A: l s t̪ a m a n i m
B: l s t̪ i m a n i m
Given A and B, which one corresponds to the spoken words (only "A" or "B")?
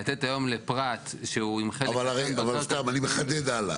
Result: A